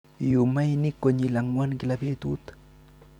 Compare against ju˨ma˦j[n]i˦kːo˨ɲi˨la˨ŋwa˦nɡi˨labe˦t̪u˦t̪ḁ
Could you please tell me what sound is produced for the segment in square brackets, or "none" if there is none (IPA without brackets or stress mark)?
n